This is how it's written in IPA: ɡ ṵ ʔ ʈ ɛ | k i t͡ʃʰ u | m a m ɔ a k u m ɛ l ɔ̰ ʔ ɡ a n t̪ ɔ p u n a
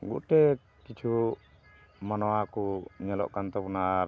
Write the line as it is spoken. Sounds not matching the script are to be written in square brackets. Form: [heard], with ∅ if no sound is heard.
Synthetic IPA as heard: ɡ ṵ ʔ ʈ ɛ | k i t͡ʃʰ u | m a [n] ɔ a k u [ɲ] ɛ l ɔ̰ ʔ [k] a n t̪ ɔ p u n a